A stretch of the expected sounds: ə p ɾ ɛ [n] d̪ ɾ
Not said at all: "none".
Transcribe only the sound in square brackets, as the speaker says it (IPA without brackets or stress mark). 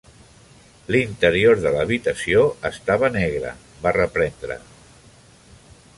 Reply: n